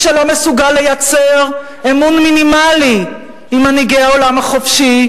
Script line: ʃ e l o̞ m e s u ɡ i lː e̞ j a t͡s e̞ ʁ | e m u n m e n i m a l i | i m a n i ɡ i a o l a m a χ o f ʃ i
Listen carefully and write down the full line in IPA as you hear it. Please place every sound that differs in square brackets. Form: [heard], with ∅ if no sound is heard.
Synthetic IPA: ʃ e l o̞ m e s u ɡ [a] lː e̞ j a t͡s e̞ ʁ | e m u n m [i] n i m a l i | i m a n i ɡ [e] a o l a m a χ o f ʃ i